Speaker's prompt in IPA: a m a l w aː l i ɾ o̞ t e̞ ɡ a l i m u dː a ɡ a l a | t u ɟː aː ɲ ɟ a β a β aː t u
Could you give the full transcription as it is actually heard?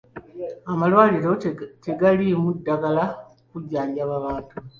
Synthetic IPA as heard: a m a l w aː l i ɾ o̞ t e̞ ɡ a l i m u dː a ɡ a l a | k u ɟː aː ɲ ɟ a β a β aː t u